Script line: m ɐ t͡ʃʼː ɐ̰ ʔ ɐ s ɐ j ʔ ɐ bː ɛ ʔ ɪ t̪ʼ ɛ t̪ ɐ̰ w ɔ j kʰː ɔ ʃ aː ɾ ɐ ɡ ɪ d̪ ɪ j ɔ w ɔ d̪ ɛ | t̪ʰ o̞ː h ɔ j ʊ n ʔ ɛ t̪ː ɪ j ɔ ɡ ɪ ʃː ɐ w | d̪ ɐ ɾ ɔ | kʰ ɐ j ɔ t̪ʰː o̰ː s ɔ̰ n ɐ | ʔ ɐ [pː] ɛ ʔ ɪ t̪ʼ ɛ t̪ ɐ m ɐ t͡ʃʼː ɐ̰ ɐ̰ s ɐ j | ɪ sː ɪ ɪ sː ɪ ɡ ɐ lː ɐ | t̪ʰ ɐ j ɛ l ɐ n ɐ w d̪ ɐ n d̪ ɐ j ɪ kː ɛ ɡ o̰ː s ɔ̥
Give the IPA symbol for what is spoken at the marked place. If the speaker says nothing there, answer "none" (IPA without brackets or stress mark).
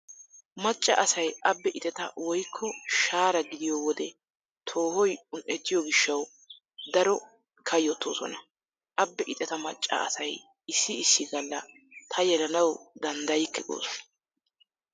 bː